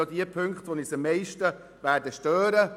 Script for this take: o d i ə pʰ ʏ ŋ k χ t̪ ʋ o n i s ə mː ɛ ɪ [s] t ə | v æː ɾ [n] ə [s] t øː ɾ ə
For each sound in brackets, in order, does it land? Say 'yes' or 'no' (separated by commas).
no, no, no